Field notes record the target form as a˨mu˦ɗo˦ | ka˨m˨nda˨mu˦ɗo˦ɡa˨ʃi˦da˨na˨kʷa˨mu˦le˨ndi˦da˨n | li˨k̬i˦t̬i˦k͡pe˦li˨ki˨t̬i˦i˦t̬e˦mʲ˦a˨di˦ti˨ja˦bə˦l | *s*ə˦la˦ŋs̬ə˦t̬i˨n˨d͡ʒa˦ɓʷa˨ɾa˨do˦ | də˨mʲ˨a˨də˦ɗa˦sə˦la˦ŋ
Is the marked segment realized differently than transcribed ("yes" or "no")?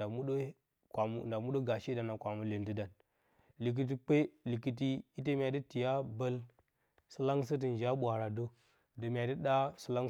no